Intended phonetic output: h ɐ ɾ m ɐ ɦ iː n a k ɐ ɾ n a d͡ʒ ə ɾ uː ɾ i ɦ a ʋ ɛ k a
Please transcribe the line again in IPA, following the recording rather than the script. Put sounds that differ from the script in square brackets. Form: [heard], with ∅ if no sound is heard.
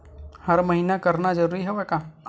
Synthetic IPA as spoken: h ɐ ɾ m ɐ ɦ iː n a k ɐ ɾ n a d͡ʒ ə ɾ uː ɾ i ɦ [ɛ] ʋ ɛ k a